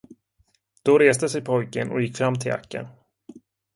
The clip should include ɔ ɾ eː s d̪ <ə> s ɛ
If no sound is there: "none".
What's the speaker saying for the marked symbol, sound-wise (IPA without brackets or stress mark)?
ə